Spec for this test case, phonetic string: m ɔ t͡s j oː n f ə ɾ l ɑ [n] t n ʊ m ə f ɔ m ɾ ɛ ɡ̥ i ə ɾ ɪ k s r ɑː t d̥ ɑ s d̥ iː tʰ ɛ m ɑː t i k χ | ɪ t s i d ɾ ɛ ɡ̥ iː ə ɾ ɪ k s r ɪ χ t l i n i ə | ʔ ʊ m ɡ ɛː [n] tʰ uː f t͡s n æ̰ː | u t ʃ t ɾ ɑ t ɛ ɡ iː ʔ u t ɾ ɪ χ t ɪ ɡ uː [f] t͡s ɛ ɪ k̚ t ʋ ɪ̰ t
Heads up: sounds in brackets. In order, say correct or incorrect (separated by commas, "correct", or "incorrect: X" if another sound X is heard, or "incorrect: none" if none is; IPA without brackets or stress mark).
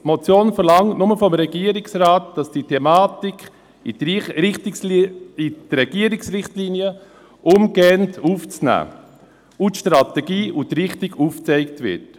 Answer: incorrect: ŋ, correct, correct